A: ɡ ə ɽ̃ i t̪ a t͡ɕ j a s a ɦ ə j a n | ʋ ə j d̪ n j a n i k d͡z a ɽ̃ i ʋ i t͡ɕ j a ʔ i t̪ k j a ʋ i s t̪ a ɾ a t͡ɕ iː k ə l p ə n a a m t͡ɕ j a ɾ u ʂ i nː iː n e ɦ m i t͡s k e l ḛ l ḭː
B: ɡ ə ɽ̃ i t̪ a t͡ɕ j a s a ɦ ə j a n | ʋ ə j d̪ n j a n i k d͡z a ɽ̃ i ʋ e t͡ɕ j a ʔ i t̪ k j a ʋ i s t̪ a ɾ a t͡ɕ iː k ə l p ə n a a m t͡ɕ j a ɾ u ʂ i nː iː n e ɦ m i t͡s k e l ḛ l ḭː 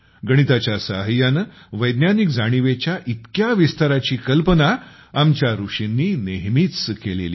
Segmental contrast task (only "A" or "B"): B